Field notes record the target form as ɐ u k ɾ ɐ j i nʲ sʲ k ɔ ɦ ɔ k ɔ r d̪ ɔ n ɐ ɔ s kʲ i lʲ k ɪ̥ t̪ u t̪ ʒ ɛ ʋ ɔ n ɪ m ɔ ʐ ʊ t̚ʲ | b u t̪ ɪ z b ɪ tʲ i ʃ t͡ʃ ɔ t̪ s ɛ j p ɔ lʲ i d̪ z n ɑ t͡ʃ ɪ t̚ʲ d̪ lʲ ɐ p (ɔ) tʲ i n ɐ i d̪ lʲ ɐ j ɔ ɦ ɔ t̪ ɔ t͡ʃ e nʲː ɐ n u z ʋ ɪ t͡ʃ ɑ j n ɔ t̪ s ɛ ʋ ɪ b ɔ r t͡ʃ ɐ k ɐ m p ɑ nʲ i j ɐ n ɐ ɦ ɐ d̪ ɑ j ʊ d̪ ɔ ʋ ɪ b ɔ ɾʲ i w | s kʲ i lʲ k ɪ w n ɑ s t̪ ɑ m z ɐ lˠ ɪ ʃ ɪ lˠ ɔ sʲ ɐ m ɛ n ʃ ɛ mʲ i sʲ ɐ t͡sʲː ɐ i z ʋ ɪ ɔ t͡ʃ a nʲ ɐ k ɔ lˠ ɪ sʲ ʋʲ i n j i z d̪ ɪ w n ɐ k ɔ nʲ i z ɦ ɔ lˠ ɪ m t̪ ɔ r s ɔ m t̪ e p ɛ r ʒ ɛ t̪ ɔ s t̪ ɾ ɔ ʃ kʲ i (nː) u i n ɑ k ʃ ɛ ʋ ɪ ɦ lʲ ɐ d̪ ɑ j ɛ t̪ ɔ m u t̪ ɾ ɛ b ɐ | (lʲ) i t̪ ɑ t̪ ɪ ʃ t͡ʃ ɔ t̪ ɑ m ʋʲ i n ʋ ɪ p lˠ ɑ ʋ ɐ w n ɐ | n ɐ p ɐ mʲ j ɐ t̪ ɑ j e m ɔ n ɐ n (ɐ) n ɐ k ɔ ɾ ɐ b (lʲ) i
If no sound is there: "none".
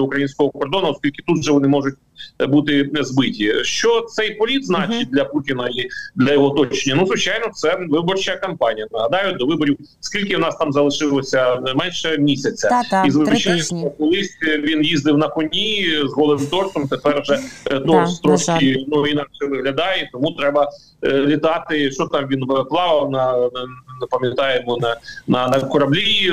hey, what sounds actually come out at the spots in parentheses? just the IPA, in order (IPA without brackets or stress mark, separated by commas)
u, n, lʲ, ɐ, lʲ